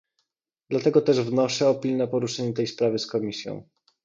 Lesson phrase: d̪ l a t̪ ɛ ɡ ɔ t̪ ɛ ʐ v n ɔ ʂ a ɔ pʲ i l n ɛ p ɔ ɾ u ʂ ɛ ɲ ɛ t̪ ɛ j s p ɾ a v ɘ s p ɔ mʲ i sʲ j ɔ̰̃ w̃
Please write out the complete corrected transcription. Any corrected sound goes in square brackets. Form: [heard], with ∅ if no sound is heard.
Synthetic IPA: d̪ l a t̪ ɛ ɡ ɔ t̪ ɛ ʐ v n ɔ ʂ [ɛ] ɔ pʲ i l n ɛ p ɔ ɾ u ʂ ɛ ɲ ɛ t̪ ɛ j s p ɾ a v ɘ s [k] ɔ mʲ i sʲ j ɔ̰̃ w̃